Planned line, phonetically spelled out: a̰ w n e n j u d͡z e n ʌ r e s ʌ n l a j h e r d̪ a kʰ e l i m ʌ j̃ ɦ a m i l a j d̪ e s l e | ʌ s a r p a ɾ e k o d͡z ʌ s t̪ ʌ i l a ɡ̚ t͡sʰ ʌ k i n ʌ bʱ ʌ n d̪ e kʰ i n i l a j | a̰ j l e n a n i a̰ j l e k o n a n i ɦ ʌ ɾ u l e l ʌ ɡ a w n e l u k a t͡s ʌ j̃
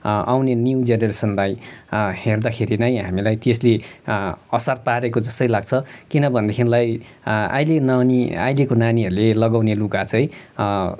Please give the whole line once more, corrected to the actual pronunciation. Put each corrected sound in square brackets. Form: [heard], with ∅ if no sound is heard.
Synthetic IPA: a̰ w n e n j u d͡z e n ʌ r e s ʌ n l a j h e r d̪ a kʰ e [ɾ] i [n] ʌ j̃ ɦ a m i l a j [t̪] e s l e | ʌ s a r p a ɾ e k o d͡z ʌ s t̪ ʌ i l a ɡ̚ t͡sʰ ʌ k i n ʌ bʱ ʌ n d̪ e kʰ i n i l a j | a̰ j l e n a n i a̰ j l e k o n a n i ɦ ʌ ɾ u l e l ʌ ɡ a w n e l u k a t͡s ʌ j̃